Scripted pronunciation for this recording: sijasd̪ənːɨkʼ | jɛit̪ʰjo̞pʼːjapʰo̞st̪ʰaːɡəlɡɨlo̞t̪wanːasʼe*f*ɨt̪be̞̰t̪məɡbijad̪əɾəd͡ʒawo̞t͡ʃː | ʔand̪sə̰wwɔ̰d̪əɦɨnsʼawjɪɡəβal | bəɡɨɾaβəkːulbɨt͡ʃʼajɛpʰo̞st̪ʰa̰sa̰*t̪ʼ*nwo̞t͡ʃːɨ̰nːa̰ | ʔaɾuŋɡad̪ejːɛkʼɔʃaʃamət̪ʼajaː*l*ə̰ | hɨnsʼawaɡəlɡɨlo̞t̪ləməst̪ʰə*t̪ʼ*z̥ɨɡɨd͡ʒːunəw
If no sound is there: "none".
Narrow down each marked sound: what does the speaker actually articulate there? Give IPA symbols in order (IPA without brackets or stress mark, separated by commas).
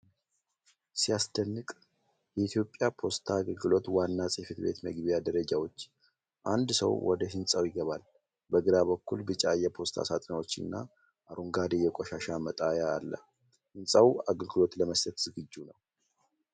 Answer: f, t̪ʼ, lː, t̪